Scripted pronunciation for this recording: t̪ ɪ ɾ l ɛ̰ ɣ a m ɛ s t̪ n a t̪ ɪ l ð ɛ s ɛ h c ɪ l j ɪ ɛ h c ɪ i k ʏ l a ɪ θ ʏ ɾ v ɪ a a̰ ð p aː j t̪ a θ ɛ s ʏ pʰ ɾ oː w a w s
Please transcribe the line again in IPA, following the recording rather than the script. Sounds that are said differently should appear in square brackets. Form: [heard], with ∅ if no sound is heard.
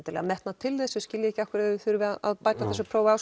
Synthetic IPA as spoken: t̪ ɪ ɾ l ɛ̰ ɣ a m ɛ [h] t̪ n a [t̪ʰ] ɪ l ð ɛ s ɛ [s] c ɪ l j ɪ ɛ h c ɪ [a] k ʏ [ɾ] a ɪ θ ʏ ɾ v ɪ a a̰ ð p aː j t̪ a θ ɛ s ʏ pʰ ɾ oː w a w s